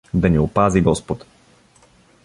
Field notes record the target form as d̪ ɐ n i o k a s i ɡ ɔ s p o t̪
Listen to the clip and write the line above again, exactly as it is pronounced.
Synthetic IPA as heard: d̪ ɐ n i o p a z i ɡ ɔ s p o t̪